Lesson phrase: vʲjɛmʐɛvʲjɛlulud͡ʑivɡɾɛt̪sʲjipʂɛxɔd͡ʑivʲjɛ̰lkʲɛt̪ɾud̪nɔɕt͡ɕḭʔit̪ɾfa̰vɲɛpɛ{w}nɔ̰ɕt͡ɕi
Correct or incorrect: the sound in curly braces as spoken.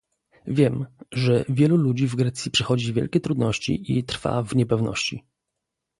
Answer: incorrect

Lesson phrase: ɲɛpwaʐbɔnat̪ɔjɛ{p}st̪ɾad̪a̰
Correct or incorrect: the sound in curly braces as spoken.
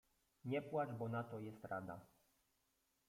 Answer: incorrect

